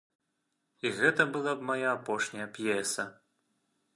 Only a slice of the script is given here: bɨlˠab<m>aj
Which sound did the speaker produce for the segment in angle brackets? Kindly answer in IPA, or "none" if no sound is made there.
m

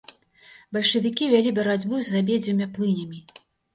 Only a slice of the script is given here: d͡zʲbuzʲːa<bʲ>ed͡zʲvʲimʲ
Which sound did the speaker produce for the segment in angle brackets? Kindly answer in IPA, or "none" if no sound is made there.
bʲ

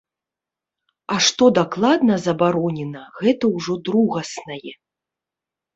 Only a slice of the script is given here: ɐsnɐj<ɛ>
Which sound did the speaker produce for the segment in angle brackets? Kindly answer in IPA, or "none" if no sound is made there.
ɛ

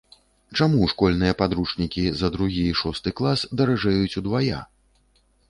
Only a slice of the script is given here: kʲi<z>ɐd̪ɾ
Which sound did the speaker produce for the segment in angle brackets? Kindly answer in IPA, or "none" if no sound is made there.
z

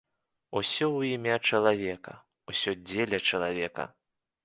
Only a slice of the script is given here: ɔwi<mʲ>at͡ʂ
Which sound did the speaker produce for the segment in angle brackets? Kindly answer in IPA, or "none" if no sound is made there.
mʲ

